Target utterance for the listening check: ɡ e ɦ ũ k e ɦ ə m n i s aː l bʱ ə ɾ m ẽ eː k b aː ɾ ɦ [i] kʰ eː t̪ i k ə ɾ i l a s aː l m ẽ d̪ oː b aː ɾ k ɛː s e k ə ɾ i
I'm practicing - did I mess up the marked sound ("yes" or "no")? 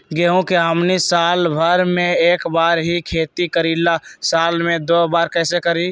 no